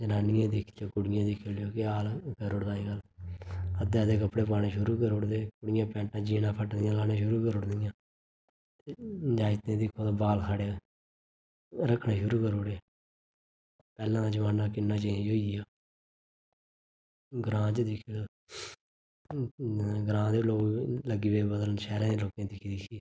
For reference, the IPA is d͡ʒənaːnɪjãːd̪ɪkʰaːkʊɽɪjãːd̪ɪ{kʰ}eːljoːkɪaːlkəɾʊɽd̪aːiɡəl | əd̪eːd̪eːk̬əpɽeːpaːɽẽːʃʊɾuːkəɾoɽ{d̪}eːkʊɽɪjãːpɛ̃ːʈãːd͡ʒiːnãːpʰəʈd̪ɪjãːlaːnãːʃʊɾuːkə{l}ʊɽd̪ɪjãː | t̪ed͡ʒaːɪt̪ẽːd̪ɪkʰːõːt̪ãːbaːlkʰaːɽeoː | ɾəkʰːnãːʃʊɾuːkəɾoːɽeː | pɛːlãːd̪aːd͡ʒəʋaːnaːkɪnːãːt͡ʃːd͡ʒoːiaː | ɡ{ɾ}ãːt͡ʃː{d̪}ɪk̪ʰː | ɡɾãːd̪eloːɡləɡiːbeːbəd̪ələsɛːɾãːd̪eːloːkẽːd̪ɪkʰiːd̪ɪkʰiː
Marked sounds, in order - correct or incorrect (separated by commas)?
correct, correct, incorrect, correct, correct